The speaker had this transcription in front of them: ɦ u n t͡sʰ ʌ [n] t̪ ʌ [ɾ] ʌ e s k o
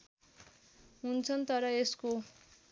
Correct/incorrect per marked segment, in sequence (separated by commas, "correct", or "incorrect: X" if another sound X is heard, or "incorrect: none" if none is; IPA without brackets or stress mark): correct, correct